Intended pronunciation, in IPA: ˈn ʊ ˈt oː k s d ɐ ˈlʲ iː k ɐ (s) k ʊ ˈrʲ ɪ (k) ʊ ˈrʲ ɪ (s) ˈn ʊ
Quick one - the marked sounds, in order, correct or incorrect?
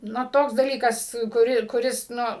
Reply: correct, correct, correct

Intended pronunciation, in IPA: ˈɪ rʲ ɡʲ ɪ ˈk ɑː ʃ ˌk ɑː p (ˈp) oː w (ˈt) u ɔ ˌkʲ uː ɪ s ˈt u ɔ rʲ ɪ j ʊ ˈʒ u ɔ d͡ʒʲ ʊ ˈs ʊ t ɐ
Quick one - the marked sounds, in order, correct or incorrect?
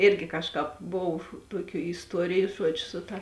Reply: incorrect, correct

